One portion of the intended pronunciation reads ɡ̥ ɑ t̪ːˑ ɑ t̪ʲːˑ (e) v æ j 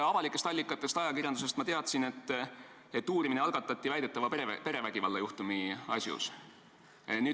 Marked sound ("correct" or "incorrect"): incorrect